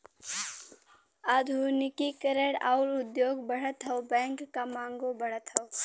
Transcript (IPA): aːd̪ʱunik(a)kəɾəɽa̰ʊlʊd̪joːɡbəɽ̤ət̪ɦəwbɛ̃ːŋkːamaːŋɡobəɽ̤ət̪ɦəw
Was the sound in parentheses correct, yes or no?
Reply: no